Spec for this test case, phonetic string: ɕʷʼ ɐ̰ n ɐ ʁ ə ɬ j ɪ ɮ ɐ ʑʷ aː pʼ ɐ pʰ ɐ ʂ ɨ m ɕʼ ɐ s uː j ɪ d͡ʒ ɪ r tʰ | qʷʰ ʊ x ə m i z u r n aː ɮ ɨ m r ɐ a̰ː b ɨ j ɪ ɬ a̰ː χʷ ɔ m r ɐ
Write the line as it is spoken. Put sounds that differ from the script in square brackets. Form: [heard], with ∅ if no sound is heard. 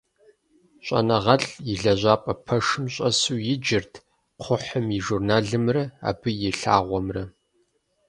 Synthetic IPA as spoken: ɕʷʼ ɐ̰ n ɐ ʁ [ɐ] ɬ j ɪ ɮ ɐ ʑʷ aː pʼ ɐ pʰ ɐ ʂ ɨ m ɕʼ ɐ s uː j ɪ d͡ʒ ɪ r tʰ | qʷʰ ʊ [ħ] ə m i [ʒ] u r n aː ɮ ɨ m r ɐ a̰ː b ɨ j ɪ ɬ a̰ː [ʁʷ] ɔ m r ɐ